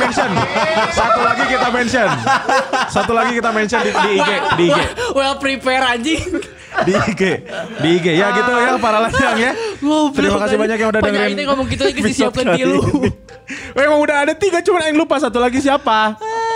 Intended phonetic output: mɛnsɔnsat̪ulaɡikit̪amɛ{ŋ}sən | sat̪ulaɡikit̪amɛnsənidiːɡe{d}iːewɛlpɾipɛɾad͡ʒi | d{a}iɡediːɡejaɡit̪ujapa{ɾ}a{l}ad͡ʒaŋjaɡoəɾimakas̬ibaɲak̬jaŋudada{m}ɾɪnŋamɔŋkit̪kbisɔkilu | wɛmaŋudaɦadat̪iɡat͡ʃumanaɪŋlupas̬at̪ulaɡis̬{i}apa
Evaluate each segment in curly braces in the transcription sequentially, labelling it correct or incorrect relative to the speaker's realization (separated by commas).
incorrect, correct, incorrect, correct, correct, incorrect, correct